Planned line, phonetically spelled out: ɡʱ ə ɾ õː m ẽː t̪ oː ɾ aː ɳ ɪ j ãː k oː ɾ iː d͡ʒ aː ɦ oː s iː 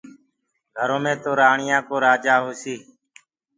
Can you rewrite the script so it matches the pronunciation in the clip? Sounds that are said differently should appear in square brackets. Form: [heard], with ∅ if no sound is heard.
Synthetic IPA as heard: ɡʱ ə ɾ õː m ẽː t̪ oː ɾ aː ɳ ɪ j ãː k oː ɾ [aː] d͡ʒ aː ɦ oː s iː